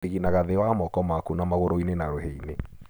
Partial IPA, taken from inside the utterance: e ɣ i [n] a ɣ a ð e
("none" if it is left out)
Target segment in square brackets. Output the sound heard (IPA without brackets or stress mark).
n